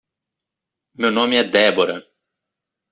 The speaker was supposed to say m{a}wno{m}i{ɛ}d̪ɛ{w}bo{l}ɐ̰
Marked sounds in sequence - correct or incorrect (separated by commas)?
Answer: incorrect, correct, correct, incorrect, incorrect